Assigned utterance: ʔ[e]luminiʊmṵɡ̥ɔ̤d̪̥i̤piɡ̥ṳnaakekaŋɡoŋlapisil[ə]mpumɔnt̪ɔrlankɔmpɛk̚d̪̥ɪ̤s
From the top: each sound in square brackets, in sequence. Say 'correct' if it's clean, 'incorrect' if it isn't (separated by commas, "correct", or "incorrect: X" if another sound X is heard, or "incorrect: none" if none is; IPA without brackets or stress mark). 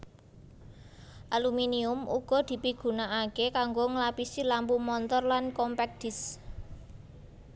incorrect: a, incorrect: a